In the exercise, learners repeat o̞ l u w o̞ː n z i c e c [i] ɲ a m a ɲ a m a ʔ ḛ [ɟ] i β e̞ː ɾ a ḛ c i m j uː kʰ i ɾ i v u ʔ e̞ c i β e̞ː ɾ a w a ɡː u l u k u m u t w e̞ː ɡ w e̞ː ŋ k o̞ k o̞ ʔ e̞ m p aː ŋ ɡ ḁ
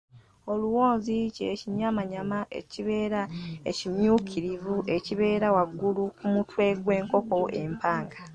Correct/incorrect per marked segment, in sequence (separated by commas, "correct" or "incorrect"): correct, incorrect